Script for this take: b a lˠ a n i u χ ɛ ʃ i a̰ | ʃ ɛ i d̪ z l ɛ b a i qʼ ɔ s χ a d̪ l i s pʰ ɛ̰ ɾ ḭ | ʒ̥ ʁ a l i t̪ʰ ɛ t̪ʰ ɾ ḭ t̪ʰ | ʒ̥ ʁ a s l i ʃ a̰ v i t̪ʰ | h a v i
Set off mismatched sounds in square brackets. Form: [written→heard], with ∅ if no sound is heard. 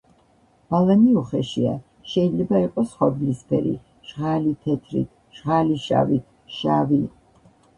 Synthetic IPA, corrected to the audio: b a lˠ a n i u χ ɛ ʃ i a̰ | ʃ ɛ i d̪ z l ɛ b a i qʼ ɔ s χ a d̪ l i s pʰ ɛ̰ ɾ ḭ | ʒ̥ ʁ a l i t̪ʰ ɛ t̪ʰ ɾ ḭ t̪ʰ | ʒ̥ ʁ a [s→∅] l i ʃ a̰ v i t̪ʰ | [h→ʃ] a v i